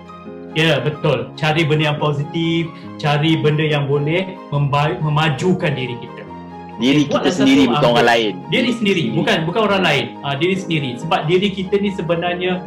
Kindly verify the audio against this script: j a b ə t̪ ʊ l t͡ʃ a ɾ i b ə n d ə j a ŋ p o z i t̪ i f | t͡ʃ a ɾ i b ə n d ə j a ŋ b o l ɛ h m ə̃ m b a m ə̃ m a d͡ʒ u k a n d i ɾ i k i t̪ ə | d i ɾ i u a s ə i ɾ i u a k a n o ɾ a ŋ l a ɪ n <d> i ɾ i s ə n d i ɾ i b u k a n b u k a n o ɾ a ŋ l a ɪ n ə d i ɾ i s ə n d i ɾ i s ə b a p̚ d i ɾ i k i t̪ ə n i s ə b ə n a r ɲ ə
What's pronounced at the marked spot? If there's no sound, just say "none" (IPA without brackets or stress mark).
d